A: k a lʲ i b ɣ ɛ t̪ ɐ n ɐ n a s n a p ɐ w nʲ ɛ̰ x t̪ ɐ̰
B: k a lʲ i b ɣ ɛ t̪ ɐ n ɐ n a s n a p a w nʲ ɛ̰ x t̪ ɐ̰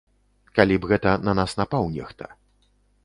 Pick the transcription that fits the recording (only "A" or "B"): B